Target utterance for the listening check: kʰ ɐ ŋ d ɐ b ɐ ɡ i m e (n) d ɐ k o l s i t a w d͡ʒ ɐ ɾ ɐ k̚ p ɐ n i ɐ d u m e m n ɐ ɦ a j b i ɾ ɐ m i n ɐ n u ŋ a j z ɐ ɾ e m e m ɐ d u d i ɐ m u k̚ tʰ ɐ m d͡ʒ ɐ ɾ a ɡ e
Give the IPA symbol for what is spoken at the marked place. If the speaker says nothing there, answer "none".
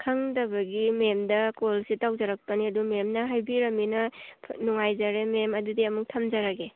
m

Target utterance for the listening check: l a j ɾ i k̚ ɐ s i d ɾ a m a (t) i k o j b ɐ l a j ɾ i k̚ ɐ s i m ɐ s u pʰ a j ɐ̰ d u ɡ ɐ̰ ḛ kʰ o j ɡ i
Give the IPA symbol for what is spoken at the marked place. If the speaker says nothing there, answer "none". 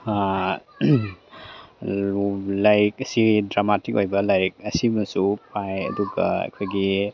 t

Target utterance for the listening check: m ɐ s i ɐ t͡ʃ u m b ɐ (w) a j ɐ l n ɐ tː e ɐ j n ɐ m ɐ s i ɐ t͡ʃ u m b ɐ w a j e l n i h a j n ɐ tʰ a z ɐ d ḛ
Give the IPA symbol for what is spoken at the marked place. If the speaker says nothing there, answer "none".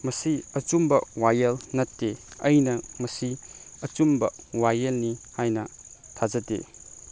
w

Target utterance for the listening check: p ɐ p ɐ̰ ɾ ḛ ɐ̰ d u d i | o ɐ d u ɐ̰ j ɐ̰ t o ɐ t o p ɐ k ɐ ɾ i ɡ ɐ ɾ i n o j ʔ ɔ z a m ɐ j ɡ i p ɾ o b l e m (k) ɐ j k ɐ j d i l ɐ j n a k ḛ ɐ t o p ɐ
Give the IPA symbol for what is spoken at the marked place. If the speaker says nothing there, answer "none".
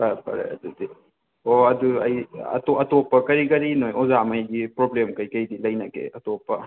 k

